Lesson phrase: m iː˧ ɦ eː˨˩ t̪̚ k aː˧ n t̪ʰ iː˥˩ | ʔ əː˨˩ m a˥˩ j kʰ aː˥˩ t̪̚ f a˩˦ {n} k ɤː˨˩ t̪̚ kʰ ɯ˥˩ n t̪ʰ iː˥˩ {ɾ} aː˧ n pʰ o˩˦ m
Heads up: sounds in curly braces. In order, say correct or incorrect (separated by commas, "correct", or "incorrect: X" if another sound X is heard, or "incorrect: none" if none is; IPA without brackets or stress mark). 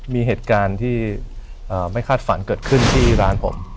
correct, correct